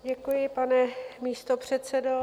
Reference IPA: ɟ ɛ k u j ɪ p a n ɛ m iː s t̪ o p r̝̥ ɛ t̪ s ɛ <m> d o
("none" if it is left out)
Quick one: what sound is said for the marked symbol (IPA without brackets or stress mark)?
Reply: none